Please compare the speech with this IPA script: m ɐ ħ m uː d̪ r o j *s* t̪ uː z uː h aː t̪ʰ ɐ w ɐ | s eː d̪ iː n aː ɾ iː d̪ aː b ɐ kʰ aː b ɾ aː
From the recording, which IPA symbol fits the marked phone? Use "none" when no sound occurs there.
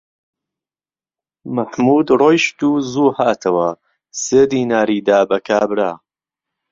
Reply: ʃ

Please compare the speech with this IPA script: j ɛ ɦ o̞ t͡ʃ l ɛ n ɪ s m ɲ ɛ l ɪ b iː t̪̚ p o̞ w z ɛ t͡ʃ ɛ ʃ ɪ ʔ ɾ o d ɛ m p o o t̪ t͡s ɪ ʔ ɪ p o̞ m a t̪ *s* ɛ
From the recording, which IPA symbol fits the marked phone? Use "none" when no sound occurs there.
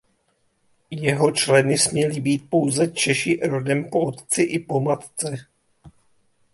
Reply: t͡s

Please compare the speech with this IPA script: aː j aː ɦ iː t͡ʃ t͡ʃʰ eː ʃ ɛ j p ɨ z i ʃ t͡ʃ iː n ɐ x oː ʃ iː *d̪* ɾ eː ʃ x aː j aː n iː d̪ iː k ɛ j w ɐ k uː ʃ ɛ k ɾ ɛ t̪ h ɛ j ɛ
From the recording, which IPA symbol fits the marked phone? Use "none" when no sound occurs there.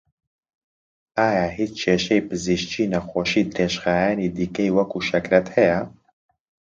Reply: d̪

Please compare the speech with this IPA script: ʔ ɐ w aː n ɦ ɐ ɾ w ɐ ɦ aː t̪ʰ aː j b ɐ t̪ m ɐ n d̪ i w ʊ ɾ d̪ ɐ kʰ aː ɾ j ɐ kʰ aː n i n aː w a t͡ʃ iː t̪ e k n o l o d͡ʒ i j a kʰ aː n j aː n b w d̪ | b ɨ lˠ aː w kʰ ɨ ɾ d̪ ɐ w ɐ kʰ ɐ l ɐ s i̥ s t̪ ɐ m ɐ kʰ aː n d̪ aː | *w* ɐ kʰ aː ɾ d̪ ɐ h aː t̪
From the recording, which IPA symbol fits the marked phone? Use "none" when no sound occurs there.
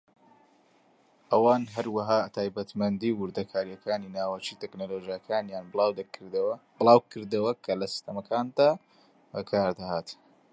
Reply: b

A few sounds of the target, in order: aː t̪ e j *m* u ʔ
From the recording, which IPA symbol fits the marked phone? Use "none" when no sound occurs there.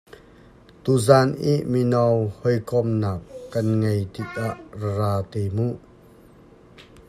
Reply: m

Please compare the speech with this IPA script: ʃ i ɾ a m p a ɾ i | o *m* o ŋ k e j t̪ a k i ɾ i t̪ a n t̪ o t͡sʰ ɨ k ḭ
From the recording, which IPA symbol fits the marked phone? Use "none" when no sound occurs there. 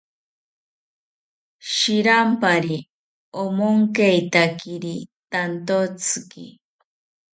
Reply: m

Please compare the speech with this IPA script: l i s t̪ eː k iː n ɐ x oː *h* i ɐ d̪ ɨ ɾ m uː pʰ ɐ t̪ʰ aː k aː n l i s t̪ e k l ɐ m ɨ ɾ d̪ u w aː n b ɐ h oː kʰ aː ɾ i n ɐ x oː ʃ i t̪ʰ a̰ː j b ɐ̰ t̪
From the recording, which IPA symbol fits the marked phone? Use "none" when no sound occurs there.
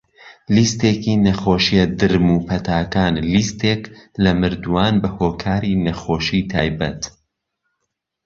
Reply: ʃ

